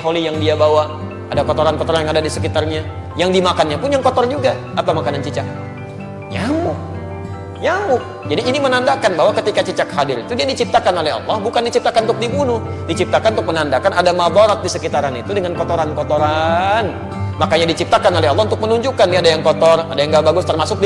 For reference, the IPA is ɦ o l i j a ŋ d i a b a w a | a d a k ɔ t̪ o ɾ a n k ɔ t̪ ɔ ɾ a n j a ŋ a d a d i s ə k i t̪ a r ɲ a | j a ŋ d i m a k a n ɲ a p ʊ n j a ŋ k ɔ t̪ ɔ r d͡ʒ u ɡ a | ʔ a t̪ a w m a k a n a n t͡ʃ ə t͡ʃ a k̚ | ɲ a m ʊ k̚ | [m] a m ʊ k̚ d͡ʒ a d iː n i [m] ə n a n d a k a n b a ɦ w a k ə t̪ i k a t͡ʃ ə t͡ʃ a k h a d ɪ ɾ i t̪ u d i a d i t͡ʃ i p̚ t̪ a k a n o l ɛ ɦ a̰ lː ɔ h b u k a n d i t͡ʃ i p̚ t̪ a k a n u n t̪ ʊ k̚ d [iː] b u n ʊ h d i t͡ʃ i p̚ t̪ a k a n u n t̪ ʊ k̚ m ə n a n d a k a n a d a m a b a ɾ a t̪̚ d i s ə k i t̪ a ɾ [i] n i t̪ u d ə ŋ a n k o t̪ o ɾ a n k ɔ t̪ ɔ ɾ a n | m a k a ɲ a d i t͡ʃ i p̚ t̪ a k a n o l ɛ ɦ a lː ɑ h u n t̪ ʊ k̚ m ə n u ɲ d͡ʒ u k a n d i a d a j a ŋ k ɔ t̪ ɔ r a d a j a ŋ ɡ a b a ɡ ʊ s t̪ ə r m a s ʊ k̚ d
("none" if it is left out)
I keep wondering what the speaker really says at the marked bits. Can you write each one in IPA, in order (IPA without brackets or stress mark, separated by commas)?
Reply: ɲ, m, i, a